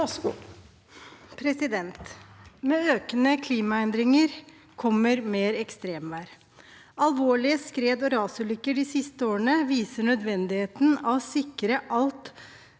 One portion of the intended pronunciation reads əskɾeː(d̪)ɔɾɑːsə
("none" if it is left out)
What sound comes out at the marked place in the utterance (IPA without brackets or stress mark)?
d̪